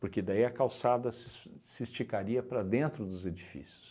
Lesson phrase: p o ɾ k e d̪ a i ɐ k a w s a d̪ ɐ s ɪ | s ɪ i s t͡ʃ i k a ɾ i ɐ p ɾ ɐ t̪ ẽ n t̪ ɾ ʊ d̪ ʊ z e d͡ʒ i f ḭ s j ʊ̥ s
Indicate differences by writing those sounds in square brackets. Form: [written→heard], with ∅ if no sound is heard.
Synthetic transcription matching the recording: p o ɾ k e d̪ a i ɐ k a w s a d̪ ɐ s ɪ | s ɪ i s t͡ʃ i k a ɾ i ɐ p ɾ ɐ [t̪→d̪] ẽ n t̪ ɾ ʊ d̪ ʊ z e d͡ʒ i f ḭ s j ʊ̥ s